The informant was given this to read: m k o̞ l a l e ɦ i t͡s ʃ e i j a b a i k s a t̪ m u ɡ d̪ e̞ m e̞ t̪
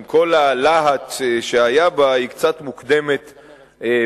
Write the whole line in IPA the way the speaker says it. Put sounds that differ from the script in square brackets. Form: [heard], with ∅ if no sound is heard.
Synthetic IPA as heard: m k o̞ l a l [a] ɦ [a] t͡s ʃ e [a] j a b a i k [t͡s] a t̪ m u [k] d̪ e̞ m e̞ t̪